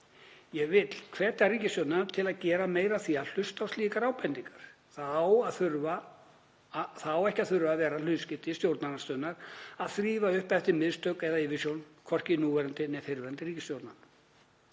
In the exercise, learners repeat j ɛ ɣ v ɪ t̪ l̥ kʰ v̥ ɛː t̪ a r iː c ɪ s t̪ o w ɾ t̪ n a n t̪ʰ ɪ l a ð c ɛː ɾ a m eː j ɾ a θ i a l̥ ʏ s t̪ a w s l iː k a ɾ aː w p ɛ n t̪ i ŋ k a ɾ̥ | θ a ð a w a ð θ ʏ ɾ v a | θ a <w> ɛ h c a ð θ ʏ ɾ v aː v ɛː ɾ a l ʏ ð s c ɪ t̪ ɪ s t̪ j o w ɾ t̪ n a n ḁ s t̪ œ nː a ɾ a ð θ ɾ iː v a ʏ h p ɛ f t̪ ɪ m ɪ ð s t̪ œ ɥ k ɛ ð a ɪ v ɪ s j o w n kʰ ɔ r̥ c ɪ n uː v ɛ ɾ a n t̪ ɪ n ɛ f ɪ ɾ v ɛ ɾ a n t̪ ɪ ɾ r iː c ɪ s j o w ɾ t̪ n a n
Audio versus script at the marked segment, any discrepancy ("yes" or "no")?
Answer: no